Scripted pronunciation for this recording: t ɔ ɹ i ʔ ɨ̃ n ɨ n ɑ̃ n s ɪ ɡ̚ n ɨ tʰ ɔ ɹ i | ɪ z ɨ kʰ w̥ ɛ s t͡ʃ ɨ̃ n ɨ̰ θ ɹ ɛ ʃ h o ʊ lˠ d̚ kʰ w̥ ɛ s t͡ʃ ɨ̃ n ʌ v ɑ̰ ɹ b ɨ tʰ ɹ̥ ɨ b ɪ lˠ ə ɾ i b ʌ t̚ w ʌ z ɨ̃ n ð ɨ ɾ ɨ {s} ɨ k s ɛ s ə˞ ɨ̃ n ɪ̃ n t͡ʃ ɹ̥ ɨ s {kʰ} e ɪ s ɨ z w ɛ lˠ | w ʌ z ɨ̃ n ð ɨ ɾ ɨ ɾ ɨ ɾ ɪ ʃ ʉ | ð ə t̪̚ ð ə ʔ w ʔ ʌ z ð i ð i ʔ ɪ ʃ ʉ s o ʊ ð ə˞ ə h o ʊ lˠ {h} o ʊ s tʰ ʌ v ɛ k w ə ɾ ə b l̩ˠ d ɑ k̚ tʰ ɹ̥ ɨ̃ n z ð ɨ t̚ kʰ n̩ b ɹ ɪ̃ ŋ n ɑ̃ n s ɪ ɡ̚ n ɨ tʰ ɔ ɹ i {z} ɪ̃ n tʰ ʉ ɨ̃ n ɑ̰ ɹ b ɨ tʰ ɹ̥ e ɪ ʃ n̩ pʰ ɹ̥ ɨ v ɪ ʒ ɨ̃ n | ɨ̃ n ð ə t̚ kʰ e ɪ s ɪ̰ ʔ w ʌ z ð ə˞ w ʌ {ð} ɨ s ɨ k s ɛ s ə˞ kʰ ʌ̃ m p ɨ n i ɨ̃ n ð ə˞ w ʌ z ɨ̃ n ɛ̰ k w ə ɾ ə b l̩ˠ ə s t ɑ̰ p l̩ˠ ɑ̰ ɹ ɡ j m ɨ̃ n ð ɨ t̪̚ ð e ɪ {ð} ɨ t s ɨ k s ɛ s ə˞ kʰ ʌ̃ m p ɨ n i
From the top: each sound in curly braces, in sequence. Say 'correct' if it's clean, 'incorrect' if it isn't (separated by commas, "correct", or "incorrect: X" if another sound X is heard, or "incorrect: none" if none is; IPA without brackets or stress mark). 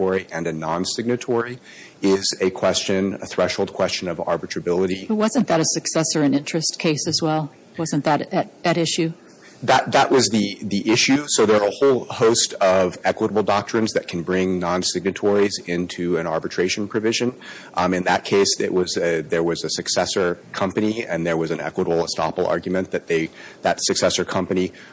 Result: correct, correct, correct, correct, incorrect: z, correct